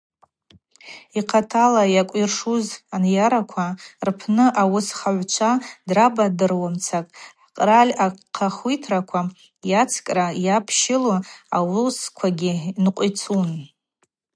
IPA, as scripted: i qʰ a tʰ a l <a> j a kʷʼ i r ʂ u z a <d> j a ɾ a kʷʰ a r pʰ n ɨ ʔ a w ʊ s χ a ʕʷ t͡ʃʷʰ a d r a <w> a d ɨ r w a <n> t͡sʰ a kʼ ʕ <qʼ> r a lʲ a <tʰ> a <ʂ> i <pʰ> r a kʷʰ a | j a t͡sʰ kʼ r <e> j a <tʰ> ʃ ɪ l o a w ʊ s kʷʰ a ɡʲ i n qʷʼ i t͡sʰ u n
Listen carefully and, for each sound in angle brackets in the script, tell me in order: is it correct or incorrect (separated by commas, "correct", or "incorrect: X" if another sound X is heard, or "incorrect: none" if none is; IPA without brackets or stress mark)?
correct, incorrect: n, incorrect: b, incorrect: m, correct, incorrect: qʰ, incorrect: χ, incorrect: tʰ, incorrect: a, incorrect: pʰ